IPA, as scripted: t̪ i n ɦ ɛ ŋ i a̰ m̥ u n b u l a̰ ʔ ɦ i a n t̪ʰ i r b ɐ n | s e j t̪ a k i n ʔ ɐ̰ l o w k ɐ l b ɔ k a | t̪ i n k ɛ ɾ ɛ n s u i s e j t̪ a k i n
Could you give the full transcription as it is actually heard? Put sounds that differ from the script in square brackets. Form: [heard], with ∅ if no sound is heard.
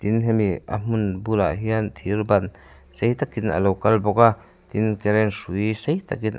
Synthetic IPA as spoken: t̪ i n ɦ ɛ [m] i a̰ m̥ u n b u l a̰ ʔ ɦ i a n t̪ʰ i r b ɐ n | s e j t̪ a k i n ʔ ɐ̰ l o w k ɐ l b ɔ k a | t̪ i n k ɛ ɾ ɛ n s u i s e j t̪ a k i n